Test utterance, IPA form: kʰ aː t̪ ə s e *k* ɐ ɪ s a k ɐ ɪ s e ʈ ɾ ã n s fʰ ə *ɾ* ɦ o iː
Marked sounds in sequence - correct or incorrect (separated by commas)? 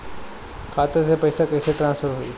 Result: incorrect, correct